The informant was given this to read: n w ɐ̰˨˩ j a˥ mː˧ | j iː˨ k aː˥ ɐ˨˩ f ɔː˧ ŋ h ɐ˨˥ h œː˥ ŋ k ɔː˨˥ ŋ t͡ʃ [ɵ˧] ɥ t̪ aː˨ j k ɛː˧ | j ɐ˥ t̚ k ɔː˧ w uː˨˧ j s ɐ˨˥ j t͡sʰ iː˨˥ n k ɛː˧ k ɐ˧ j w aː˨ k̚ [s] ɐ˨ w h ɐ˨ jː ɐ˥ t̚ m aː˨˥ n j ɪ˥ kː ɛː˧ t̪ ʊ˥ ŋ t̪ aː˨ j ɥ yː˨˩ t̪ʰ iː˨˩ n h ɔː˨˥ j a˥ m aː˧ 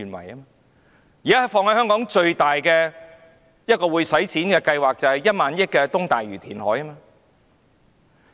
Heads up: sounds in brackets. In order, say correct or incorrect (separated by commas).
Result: correct, incorrect